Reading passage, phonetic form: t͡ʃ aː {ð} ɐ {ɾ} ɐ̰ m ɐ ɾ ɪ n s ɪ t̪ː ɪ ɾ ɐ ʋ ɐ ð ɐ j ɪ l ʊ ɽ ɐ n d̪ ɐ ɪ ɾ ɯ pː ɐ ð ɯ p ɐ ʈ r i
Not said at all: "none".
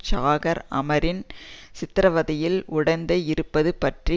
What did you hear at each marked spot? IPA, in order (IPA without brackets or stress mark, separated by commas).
ɣ, ɾ